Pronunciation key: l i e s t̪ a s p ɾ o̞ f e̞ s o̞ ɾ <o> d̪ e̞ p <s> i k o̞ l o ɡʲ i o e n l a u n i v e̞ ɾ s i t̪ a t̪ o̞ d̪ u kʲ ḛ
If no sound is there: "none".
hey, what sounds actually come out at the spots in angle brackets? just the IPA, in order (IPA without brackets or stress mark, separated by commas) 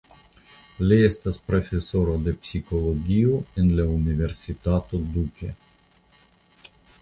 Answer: o, s